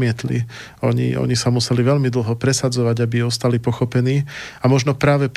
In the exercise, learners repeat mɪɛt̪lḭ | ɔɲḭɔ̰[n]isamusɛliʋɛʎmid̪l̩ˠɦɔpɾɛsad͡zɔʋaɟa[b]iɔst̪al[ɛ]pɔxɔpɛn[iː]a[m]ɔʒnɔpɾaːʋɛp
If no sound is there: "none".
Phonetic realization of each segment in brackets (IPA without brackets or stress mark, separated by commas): ɲ, b, i, iː, m